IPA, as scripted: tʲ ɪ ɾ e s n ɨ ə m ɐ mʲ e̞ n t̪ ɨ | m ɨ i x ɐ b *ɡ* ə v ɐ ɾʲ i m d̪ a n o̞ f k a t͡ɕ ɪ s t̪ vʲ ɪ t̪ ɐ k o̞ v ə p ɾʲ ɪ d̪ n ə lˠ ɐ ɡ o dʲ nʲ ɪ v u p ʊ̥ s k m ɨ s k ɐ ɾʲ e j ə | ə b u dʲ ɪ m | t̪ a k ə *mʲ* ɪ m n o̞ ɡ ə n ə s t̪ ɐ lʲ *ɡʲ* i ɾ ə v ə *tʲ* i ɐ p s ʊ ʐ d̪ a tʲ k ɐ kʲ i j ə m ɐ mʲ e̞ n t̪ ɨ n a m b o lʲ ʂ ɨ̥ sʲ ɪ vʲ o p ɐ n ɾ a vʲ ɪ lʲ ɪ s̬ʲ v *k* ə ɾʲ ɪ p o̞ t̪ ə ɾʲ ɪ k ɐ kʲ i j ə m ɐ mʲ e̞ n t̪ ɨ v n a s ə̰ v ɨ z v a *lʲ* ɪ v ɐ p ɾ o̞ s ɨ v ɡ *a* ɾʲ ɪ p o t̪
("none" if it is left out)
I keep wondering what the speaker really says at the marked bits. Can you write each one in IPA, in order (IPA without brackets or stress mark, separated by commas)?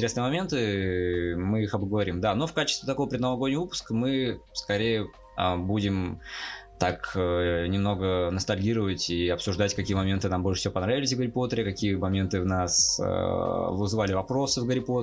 ɡ, nʲ, ɡʲ, tʲ, ɡ, lʲ, ə